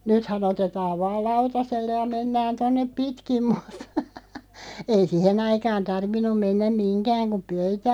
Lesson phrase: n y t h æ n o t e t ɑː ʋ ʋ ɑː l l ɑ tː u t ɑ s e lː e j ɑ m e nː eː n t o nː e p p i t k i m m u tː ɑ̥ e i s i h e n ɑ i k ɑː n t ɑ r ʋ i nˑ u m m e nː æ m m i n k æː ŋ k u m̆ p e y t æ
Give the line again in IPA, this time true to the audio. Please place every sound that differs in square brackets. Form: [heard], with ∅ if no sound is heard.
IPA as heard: n y t h æ n o t e t ɑː ʋ ʋ ɑː l l ɑ [∅] u t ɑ s e lː e j ɑ m e nː [æː] n t o nː e p p i t k i m m u tː ɑ̥ e i s i h e n ɑ i k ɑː n t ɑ r ʋ i nˑ u m m e nː æ m m i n k æː ŋ k u m̆ p [ø] y t æ